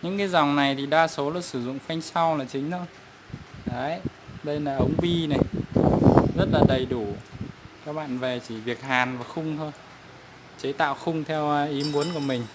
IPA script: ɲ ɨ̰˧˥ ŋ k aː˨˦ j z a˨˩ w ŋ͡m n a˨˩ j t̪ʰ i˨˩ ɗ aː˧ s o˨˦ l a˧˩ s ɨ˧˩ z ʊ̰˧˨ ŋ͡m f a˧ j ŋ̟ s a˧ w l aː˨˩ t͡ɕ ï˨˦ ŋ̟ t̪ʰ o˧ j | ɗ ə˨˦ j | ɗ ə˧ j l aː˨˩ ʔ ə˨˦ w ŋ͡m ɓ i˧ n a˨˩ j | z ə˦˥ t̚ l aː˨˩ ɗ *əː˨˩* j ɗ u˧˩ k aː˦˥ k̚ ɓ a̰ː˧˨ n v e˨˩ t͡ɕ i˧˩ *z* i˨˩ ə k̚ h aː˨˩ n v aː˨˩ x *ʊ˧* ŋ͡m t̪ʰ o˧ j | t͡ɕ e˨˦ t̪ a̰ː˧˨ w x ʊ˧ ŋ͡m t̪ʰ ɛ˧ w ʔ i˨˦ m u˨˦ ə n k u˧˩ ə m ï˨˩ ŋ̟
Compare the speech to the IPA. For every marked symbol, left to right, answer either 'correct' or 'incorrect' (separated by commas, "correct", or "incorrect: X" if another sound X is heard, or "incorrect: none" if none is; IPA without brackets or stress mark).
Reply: incorrect: ə˨˩, incorrect: v, correct